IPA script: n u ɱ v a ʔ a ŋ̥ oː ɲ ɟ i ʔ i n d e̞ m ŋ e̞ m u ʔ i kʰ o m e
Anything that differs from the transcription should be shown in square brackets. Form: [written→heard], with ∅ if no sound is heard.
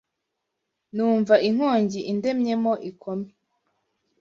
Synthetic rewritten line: n [u→uː] ɱ v a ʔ [a→i] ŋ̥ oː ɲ ɟ i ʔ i n d e̞ m [ŋ→ɲ] e̞ m [u→o] ʔ i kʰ o m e